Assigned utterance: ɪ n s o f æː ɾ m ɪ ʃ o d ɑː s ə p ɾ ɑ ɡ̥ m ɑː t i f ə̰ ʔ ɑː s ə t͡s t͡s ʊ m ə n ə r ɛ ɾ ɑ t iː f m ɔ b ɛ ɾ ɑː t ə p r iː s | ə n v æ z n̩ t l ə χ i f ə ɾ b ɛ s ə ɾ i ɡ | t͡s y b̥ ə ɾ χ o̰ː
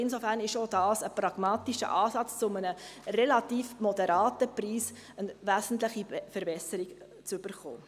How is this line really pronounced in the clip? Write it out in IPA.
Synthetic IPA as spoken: ɪ n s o f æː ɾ n ɪ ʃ o d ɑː s ə p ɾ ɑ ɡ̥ m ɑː t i ʃ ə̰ ʔ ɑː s ɑ t͡s t͡s ʊ m ə n ə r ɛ l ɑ t iː f m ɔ d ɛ ɾ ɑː t ə p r iː s | ə n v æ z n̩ t l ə χ i f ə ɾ b ɛ s ə ɾ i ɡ | t͡s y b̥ ə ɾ χ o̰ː